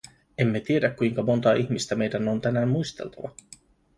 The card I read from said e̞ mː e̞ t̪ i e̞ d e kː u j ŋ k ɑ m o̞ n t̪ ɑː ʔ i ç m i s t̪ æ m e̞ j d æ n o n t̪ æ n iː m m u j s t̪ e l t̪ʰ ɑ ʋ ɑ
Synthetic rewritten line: e̞ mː e̞ t̪ i e̞ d æ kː u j ŋ k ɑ m o̞ n t̪ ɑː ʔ i ç m i s t̪ æ m e̞ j d æ n o n t̪ æ n æː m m u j s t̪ e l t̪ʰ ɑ ʋ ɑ